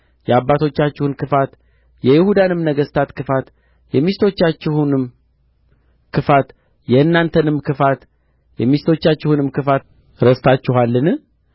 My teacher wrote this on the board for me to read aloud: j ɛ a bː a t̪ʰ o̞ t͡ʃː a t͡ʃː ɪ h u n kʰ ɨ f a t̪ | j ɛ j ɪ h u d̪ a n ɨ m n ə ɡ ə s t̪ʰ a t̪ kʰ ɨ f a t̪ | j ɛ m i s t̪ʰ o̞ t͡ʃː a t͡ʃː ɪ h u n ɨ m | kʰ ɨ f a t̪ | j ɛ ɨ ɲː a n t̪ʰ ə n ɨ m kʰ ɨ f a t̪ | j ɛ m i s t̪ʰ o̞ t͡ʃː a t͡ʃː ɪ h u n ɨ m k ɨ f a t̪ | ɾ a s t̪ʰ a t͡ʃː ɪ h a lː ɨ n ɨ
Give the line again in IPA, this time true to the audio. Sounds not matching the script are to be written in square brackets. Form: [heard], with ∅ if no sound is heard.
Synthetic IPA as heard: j ɛ a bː a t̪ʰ o̞ t͡ʃː a t͡ʃː ɪ h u n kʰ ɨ f a t̪ | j ɛ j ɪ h u d̪ a n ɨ m n ə ɡ ə s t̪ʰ a t̪ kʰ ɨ f a t̪ | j ɛ m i s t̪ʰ o̞ t͡ʃː a t͡ʃː ɪ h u n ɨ m | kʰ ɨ f a t̪ | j ɛ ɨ [nː] a n t̪ʰ ə n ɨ m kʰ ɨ f a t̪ | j ɛ m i s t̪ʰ o̞ t͡ʃː a t͡ʃː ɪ h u n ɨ m k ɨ f a t̪ | ɾ [ə] s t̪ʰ a t͡ʃː ɪ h a lː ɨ n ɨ

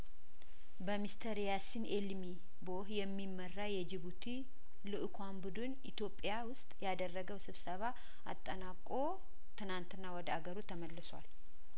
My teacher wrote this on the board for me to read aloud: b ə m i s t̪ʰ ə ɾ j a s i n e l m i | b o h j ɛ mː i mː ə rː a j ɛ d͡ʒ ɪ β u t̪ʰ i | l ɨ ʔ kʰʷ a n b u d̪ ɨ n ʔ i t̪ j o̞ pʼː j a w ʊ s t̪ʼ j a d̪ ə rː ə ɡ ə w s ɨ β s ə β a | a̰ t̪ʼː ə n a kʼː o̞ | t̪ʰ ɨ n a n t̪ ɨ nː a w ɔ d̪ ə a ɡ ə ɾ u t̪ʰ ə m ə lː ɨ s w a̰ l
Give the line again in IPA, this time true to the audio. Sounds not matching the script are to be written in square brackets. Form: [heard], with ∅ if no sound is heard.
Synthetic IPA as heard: b ə m i s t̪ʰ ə ɾ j a s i n e l m i | b o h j ɛ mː i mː ə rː a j ɛ d͡ʒ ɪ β u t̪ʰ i | l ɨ ʔ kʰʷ a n b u d̪ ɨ n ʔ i t̪ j o̞ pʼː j a w ʊ s t̪ʼ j a d̪ ə rː ə ɡ ə w s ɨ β s ə β a | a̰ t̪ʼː ə n a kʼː o̞ | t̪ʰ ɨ n a n t̪ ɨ nː a w ɔ d̪ ə a ɡ ə ɾ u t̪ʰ ə m ə lː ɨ s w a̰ l

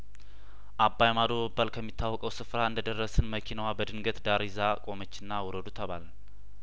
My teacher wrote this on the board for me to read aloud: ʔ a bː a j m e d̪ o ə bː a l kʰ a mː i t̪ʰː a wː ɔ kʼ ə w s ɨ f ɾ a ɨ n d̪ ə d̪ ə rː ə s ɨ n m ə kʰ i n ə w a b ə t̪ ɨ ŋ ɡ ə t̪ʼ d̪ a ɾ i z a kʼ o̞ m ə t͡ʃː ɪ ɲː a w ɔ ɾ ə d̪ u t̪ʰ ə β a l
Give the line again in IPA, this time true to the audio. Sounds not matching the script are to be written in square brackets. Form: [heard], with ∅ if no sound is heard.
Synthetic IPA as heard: ʔ a bː a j m [a] d̪ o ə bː a l kʰ [ə] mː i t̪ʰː a wː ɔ kʼ ə w s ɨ f ɾ a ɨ n d̪ ə d̪ ə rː ə s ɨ n m ə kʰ i n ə w a b ə [d̪] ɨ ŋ ɡ ə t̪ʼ d̪ a ɾ i z a kʼ o̞ m ə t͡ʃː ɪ [nː] a w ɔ ɾ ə d̪ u t̪ʰ ə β a l

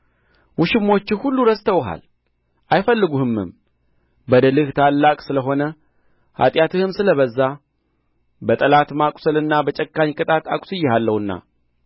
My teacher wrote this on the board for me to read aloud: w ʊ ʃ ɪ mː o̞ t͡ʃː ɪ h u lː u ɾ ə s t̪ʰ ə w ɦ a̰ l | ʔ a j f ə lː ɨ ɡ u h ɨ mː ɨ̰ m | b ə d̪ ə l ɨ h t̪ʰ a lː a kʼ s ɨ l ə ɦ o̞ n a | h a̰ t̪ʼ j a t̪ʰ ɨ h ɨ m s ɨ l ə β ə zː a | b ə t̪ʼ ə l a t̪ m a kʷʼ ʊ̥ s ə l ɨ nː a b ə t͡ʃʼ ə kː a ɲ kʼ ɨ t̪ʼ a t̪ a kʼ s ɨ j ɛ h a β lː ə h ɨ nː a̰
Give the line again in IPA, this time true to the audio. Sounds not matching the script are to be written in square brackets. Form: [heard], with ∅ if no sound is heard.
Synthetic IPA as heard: w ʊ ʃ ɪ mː o̞ t͡ʃː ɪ h u lː u ɾ ə s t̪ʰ ə w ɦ a̰ l | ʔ a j f ə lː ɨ ɡ u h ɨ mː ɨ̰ m | b ə d̪ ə l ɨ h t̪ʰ a lː a kʼ s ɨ l ə ɦ o̞ n [ə] | h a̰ t̪ʼ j a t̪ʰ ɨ h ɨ m s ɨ l ə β ə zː a | b ə t̪ʼ ə l a t̪ m a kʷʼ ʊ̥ s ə l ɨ nː a b ə t͡ʃʼ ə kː a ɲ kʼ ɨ t̪ʼ a t̪ a kʼ s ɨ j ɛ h a [∅] lː ə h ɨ nː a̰

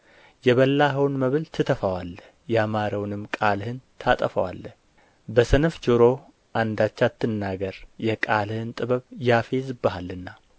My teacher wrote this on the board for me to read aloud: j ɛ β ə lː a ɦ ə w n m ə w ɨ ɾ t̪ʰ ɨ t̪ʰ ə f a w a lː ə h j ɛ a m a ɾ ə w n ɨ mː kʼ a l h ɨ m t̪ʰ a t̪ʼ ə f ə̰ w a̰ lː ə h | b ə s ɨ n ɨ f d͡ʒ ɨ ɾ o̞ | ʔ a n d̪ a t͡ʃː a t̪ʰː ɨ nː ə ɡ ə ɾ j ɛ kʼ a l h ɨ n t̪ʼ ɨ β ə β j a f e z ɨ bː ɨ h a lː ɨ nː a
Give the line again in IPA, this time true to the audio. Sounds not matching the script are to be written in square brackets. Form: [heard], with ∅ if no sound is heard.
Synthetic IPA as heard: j ɛ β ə lː a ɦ ə w n m ə [β] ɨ [l] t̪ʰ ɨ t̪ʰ ə f a w a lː ə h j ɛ a m a ɾ ə w n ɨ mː kʼ a l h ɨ [n] t̪ʰ a t̪ʼ ə f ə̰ w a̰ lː ə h | b ə s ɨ n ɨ f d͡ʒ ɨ ɾ o̞ | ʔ a n d̪ a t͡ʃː a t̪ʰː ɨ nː [a] ɡ ə ɾ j ɛ kʼ a l h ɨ n t̪ʼ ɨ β ə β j a f e z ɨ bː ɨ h a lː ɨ nː a

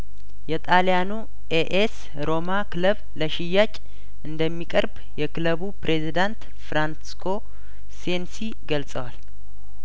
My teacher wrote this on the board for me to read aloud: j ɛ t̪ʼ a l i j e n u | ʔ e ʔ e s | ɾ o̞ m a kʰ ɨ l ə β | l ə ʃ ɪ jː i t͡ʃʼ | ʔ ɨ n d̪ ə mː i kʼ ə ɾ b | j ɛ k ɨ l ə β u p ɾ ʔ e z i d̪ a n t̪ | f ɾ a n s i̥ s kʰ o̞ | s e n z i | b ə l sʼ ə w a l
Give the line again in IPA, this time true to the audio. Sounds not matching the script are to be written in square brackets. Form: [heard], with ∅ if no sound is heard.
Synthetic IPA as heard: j ɛ t̪ʼ a l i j [a] n u | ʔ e ʔ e s | ɾ o̞ m a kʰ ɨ l ə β | l ə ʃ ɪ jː [a] t͡ʃʼ | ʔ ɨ n d̪ ə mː i kʼ ə ɾ b | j ɛ k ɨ l ə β u p ɾ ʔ e z i d̪ a n t̪ | f ɾ a n s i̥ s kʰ o̞ | s e n [s] i | [ɡ] ə l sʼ ə w a l

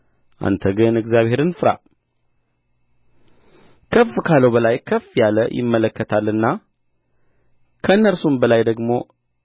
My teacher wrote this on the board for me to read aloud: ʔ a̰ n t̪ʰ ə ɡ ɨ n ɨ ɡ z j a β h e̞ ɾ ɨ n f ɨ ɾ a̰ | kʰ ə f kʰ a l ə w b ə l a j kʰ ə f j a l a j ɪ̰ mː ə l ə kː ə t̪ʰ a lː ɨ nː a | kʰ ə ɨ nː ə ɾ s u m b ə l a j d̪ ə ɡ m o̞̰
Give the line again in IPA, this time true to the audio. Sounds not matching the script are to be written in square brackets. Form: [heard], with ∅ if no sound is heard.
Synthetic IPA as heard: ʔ a̰ n t̪ʰ ə ɡ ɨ n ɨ ɡ z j a β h e̞ ɾ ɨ n f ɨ ɾ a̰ | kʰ ə f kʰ a l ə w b ə l a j kʰ ə f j a l [ə] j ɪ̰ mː ə l ə kː ə t̪ʰ a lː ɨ nː a | kʰ ə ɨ nː ə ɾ s u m b ə l a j d̪ ə ɡ m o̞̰

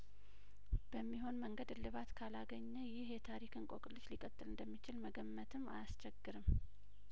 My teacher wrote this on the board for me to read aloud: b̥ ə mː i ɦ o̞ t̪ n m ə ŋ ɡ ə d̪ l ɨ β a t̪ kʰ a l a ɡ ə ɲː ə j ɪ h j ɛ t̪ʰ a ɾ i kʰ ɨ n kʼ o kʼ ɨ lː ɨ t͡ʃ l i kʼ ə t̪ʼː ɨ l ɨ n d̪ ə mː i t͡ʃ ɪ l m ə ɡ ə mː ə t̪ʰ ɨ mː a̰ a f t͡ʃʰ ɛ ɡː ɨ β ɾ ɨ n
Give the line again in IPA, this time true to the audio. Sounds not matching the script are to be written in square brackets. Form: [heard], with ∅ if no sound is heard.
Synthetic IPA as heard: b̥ ə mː i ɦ o̞ [∅] n m ə ŋ ɡ ə d̪ l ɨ β a t̪ kʰ a l a ɡ ə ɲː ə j ɪ h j ɛ t̪ʰ a ɾ i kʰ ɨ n kʼ o kʼ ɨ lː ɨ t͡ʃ l i kʼ ə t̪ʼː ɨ l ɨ n d̪ ə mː i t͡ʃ ɪ l m ə ɡ ə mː ə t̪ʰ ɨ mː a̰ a [s] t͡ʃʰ ɛ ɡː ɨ [∅] ɾ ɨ [m]

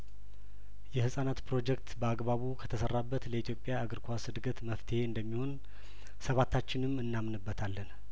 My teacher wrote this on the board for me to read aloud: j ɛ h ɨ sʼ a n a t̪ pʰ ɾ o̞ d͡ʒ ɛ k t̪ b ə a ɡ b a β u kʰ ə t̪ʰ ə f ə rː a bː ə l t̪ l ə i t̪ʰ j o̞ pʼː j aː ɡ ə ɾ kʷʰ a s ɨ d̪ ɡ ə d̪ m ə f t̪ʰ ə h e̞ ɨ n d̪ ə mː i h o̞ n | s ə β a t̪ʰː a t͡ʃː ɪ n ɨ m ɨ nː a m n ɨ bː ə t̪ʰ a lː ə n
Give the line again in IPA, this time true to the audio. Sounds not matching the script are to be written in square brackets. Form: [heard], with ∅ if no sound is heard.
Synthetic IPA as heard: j ɛ h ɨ sʼ a n a t̪ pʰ ɾ o̞ d͡ʒ ɛ k t̪ b ə a ɡ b a β u kʰ ə t̪ʰ ə [s] ə rː a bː ə [∅] t̪ l ə i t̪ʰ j o̞ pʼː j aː ɡ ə ɾ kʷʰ a s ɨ d̪ ɡ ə [t̪] m ə f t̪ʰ ə h e̞ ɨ n d̪ ə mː i h o̞ n | s ə β a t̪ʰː a t͡ʃː ɪ n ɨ m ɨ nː a m n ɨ bː ə t̪ʰ a lː ə n

